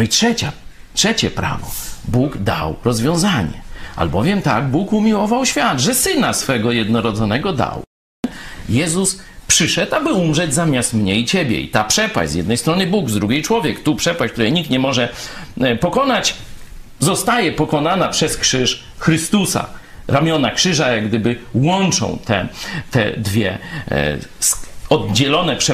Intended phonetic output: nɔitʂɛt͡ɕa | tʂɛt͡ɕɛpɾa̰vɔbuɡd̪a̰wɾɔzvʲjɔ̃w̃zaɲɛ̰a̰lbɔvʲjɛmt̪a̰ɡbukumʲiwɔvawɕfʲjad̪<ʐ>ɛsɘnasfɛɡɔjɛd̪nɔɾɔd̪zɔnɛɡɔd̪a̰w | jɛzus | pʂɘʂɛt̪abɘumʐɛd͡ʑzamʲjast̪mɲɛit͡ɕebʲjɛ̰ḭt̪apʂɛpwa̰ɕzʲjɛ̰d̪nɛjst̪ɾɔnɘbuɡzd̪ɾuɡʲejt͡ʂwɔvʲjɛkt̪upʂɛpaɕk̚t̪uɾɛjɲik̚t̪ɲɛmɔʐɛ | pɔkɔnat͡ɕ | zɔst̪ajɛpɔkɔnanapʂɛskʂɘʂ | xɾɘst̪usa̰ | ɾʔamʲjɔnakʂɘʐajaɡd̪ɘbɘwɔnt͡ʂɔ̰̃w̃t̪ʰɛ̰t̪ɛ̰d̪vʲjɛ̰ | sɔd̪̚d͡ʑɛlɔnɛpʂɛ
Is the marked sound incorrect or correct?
correct